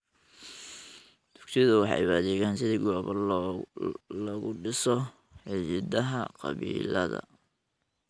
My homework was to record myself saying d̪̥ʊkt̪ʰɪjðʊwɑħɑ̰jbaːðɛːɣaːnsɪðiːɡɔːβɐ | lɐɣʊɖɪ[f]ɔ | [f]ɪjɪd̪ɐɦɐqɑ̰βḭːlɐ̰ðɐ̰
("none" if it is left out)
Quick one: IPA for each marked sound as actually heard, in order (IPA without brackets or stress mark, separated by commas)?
s, ħ